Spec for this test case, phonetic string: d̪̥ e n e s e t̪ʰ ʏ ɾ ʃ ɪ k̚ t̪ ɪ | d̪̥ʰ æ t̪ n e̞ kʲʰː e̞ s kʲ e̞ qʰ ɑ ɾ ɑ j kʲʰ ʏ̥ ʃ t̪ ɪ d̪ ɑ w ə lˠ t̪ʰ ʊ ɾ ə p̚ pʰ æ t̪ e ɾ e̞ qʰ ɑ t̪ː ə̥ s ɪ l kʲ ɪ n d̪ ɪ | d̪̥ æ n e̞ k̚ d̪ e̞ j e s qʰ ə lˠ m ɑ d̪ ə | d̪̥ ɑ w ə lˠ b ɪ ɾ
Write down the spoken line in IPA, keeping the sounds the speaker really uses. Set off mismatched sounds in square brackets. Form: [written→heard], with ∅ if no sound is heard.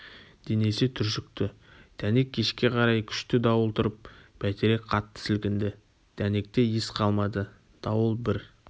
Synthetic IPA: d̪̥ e n e s e t̪ʰ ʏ ɾ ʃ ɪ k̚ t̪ ɪ | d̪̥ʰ æ [t̪→∅] n e̞ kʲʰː e̞ [s→ʃ] kʲ e̞ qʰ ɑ ɾ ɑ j kʲʰ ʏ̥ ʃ t̪ ɪ d̪ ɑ w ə lˠ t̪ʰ ʊ ɾ ə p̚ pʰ æ t̪ e ɾ e̞ qʰ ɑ t̪ː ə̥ s ɪ l kʲ ɪ n d̪ ɪ | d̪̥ æ n e̞ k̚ [d̪→t̪] e̞ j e s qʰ [ə→ɑ] lˠ m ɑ d̪ ə | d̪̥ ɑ w ə lˠ b ɪ ɾ